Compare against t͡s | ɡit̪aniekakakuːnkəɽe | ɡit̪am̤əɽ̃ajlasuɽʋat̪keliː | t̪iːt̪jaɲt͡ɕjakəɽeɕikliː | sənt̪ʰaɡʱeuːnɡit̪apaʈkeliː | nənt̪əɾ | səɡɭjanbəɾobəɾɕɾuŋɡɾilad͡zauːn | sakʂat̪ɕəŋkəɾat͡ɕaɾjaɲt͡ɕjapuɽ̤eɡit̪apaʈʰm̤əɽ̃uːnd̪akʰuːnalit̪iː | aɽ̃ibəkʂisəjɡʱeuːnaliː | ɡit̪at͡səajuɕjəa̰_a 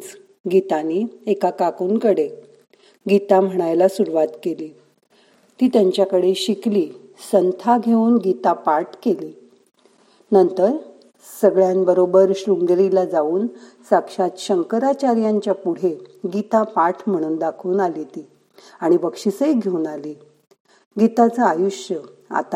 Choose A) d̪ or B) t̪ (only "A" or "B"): B